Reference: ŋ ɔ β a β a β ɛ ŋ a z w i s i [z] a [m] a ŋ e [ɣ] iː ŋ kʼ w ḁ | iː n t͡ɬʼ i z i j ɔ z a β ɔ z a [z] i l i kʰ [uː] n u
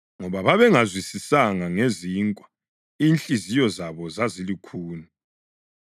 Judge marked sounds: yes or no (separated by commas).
no, no, no, yes, yes